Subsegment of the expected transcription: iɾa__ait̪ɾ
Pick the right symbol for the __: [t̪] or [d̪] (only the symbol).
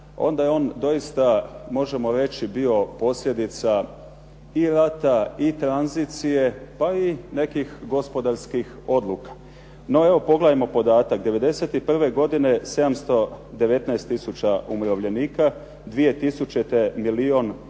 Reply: t̪